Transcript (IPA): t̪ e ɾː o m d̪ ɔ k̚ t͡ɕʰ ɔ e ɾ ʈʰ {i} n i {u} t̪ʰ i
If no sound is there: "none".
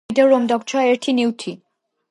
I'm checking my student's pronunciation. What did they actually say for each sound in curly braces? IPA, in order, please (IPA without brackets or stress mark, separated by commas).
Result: i, w